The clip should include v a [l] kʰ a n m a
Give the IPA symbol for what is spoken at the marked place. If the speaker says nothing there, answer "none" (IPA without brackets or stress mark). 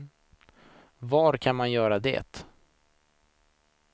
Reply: ɾ